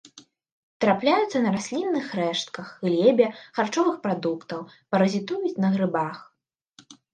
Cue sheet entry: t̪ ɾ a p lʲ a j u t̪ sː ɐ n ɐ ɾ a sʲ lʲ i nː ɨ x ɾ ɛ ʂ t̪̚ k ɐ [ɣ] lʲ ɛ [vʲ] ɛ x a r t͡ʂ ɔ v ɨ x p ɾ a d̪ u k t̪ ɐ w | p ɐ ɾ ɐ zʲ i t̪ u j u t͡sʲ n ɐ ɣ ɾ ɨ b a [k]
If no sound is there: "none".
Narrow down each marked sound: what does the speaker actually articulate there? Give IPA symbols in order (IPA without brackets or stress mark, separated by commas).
x, bʲ, x